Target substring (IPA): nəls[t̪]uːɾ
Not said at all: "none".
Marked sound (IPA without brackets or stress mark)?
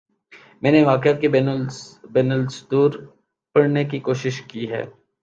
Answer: d̪